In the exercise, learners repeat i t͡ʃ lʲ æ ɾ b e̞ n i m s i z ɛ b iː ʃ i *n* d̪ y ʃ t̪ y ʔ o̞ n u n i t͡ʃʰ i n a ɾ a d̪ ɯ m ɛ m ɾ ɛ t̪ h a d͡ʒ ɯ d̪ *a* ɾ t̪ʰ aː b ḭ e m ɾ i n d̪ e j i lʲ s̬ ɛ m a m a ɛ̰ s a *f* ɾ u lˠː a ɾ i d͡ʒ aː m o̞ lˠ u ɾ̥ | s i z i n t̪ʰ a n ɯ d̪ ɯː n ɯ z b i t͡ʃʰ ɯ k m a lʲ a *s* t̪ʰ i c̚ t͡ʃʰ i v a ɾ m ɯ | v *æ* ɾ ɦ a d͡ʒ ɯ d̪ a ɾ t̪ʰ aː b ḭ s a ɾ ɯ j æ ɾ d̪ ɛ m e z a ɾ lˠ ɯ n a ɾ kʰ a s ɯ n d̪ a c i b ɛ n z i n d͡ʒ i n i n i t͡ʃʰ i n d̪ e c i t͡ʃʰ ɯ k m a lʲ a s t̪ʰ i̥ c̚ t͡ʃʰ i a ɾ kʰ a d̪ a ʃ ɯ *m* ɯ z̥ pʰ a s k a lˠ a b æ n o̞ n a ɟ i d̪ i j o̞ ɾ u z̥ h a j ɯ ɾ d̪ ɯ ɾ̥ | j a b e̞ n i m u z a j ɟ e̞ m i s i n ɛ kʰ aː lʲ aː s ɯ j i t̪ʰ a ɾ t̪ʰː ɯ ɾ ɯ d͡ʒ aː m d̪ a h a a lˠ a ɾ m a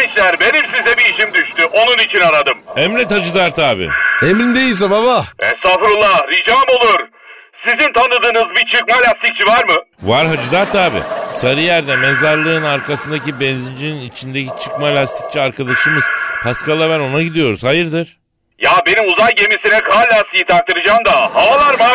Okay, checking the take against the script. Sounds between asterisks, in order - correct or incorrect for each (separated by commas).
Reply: incorrect, correct, correct, correct, incorrect, correct